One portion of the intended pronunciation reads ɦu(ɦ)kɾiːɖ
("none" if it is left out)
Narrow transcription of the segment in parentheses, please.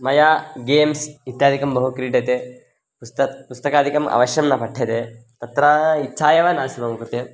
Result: none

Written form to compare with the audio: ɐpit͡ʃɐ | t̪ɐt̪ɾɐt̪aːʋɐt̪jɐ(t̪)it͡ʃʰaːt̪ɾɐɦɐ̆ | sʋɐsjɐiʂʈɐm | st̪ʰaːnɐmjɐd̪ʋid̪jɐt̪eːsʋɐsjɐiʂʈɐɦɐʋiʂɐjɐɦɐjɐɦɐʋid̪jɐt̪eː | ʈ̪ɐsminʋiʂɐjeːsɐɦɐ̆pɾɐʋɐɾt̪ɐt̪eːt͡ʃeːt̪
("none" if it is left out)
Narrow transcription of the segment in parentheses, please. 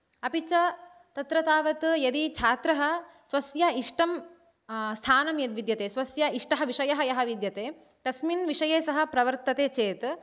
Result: d̪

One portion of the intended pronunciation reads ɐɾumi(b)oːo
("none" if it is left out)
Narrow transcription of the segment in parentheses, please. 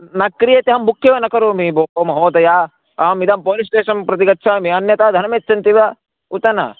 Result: b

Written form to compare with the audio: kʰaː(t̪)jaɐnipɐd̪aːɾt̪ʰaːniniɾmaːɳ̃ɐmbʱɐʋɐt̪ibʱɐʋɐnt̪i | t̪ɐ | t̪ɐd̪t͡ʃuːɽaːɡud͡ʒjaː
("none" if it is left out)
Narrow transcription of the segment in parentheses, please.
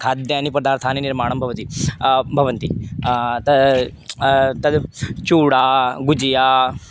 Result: d̪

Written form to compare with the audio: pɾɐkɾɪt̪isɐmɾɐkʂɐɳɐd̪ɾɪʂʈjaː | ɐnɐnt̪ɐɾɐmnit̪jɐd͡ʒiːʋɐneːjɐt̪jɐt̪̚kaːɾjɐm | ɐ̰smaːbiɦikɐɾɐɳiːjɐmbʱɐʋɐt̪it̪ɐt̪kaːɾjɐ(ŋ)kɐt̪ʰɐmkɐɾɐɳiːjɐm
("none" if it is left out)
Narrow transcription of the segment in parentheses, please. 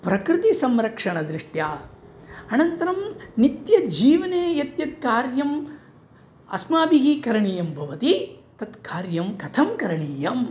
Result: m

